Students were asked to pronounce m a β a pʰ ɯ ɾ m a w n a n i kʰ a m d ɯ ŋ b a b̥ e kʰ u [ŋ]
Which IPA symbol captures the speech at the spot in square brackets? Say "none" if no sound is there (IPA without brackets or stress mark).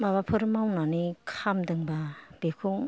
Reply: ŋ